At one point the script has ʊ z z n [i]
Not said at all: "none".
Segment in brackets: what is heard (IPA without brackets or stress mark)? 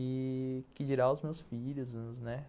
ɛ